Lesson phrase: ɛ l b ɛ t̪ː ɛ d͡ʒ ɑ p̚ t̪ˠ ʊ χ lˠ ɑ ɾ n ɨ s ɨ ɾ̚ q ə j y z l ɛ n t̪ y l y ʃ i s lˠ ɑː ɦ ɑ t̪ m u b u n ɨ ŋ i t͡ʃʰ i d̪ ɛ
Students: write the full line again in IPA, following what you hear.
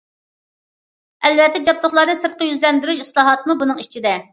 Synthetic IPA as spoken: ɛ l v ɛ t̪ː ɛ d͡ʒ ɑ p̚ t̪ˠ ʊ χ lˠ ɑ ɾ n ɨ s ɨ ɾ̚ q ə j y z l ɛ n d̪ y ɾ y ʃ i s lˠ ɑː ɦ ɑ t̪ m u b u n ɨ ŋ i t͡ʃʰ i d̪ ɛ